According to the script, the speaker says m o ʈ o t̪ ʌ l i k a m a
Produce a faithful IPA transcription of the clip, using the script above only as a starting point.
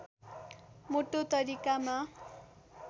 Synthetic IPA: m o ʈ o t̪ ʌ ɾ i k a m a